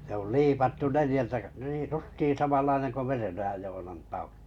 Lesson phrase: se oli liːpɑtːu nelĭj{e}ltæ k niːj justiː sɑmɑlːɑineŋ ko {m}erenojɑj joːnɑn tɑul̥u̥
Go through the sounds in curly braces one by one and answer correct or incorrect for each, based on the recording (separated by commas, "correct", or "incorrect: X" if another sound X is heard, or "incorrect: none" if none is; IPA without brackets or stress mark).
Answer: incorrect: æ, correct